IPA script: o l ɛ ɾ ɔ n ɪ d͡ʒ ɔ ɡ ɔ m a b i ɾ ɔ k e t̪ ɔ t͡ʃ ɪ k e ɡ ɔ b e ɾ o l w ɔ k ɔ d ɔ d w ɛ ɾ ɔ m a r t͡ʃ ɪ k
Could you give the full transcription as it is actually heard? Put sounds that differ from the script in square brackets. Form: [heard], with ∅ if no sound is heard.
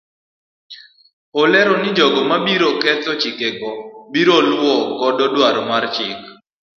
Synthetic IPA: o l ɛ ɾ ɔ n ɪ d͡ʒ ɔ ɡ ɔ m a b i ɾ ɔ k [ɛ] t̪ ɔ t͡ʃ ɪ k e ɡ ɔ b [i] ɾ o l w ɔ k ɔ d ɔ d w [a] ɾ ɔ m a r t͡ʃ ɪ k